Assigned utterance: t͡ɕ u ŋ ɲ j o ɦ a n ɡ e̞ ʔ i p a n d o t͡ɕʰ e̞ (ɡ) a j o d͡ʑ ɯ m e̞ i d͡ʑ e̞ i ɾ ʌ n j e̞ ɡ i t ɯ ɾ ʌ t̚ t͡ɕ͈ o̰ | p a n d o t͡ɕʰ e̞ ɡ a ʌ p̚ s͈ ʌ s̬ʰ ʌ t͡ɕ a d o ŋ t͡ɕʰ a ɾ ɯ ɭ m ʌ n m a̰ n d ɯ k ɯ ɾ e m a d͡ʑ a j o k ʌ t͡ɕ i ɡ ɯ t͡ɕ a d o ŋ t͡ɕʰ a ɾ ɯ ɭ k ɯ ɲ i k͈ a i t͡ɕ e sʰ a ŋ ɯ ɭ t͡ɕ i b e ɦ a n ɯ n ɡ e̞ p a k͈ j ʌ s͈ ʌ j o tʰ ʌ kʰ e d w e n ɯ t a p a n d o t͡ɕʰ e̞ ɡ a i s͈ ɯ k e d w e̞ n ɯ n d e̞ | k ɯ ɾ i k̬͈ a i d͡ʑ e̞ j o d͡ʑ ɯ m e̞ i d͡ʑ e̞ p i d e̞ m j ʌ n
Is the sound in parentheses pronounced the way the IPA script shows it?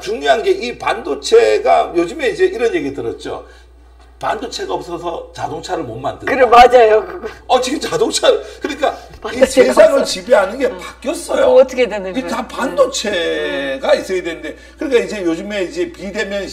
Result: yes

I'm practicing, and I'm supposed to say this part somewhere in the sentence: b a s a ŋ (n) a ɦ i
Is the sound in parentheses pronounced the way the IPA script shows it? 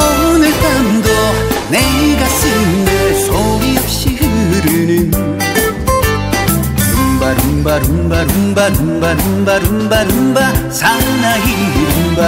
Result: yes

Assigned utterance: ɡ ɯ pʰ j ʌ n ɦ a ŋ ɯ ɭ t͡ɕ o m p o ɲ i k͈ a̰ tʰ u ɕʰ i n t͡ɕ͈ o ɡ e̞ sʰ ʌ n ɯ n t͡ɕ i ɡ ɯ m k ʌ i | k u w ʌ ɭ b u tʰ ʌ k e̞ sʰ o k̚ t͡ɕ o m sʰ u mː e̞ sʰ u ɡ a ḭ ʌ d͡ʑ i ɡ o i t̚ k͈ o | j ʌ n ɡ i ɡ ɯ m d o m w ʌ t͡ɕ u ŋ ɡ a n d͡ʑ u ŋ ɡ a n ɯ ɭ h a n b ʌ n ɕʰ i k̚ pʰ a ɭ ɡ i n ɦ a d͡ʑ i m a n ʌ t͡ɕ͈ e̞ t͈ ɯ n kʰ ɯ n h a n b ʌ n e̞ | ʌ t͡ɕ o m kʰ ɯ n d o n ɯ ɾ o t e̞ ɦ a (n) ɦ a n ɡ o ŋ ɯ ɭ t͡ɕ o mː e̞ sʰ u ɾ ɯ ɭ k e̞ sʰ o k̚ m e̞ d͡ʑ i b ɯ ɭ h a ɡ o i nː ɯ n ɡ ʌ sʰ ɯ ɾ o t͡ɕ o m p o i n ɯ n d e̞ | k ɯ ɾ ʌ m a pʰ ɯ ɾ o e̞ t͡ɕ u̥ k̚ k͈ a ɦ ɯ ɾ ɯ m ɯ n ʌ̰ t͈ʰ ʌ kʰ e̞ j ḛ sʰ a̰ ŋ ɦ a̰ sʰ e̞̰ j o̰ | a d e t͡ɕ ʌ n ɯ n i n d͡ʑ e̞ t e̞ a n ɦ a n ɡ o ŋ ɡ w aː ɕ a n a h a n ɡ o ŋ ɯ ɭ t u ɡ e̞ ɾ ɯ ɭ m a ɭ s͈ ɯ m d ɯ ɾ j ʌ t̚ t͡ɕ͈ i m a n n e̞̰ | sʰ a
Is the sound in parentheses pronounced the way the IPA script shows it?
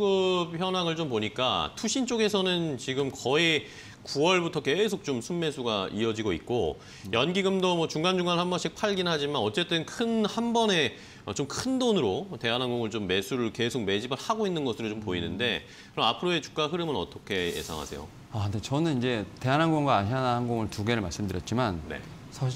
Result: yes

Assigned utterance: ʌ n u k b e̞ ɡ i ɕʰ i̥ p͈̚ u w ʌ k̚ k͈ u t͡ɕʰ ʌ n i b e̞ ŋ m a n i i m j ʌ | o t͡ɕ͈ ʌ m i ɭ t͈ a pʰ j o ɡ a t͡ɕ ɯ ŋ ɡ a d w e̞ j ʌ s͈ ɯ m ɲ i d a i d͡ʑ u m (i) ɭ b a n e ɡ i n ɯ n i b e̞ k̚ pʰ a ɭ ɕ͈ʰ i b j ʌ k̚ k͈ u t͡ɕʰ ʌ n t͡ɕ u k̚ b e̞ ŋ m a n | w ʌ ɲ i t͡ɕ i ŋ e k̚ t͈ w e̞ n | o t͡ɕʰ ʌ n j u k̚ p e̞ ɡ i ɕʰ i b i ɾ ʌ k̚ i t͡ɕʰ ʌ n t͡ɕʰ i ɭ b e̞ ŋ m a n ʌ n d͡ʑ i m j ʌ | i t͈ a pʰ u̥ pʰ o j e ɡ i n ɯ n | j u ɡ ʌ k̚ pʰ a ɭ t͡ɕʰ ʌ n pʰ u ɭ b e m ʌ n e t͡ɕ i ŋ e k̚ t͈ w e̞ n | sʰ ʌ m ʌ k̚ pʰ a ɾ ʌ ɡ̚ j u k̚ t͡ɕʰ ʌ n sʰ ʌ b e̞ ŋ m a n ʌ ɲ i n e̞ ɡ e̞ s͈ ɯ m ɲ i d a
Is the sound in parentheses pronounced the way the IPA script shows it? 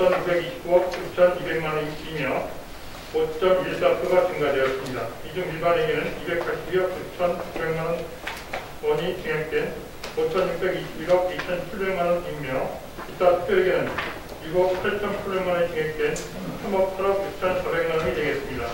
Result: yes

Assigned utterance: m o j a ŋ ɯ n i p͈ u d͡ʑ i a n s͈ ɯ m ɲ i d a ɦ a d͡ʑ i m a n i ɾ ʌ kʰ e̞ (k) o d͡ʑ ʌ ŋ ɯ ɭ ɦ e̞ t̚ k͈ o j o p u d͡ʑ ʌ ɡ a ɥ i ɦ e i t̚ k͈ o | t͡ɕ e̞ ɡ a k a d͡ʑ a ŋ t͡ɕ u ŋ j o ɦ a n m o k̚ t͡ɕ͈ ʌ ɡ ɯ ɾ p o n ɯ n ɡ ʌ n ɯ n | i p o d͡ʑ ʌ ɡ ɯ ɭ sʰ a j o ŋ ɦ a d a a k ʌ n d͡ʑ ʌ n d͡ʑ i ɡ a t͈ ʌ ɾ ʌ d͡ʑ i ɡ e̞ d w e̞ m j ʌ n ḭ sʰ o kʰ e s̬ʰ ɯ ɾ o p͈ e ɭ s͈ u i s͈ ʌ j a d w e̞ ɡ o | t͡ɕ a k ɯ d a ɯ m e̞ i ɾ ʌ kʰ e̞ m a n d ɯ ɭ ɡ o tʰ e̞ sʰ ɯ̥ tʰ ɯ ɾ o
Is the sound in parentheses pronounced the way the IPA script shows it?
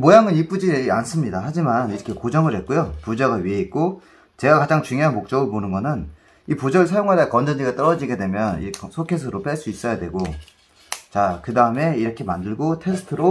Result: yes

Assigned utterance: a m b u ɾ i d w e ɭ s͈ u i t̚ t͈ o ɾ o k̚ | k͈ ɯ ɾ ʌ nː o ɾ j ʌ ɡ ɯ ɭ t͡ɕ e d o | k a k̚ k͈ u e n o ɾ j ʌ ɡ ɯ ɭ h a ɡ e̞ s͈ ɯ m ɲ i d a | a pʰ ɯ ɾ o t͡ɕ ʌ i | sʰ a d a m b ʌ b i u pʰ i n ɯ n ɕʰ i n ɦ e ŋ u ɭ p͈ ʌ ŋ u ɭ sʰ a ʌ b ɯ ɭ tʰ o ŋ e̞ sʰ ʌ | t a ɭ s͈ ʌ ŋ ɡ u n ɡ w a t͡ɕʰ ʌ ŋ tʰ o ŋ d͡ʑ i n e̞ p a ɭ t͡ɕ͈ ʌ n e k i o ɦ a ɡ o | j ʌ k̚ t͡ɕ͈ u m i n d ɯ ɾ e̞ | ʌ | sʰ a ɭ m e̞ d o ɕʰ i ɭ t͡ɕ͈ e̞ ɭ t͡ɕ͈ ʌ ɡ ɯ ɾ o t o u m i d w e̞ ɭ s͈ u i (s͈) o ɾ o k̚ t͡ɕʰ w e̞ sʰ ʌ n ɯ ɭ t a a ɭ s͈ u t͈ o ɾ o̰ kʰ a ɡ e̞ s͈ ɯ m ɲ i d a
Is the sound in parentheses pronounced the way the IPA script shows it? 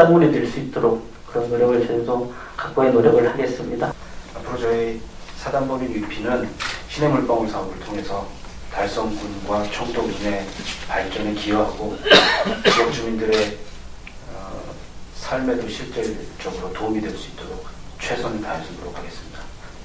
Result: no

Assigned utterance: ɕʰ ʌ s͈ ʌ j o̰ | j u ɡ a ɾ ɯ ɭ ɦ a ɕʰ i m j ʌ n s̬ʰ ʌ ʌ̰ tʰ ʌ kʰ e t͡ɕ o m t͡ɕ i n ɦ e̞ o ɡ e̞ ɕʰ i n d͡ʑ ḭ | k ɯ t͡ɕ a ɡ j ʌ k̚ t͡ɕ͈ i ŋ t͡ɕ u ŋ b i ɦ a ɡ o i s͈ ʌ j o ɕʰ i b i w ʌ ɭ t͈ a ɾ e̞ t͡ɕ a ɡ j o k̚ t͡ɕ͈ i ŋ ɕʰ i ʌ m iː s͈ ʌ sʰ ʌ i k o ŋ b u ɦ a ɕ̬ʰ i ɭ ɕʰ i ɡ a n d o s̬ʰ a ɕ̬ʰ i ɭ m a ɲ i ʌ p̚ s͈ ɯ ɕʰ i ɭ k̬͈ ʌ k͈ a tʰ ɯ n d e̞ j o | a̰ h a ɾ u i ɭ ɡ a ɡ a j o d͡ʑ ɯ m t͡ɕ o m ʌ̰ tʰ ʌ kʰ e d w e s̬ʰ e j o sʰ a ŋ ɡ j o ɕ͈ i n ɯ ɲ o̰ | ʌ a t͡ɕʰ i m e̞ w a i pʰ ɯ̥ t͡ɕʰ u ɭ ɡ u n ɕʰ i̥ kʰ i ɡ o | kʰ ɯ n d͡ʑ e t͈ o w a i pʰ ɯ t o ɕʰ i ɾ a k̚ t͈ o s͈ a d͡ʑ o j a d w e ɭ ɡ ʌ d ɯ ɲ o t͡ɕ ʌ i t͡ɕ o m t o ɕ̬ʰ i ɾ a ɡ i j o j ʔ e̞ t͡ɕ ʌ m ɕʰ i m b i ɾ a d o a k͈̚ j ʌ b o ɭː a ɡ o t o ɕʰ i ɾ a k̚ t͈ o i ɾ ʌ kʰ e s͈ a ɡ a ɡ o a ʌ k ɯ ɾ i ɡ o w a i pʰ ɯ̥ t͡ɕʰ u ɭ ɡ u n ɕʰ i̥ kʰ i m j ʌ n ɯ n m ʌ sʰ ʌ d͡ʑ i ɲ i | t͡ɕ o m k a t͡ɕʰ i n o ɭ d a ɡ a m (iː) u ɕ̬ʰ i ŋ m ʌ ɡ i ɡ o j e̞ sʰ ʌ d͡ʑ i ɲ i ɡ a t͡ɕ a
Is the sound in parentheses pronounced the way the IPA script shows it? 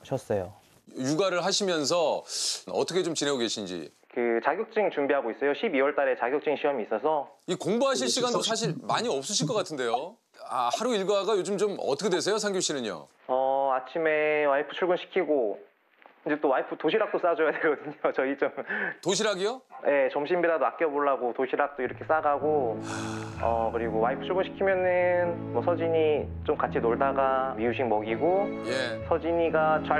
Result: no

